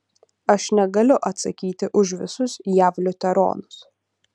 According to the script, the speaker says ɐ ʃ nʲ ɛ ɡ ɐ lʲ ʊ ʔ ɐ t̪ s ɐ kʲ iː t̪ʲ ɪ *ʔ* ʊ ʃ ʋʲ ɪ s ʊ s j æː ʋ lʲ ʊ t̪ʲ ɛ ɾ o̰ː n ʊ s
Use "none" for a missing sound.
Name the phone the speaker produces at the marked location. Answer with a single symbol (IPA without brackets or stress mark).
ʔ